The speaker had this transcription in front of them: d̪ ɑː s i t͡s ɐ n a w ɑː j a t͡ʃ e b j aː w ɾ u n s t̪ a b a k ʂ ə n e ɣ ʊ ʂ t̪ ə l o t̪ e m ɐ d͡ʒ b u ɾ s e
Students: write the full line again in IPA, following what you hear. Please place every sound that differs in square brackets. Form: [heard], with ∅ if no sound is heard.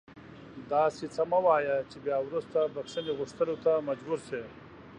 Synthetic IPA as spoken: d̪ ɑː s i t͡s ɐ [m] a w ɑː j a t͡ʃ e b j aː w ɾ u [∅] s t̪ a b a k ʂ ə n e ɣ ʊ ʂ t̪ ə l o t̪ [a] m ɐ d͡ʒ b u ɾ s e